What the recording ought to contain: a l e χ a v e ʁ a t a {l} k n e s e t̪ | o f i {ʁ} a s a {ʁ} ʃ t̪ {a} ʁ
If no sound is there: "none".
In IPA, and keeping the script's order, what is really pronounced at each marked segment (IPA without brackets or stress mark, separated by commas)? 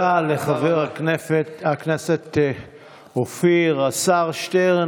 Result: none, ʁ, ʁ, e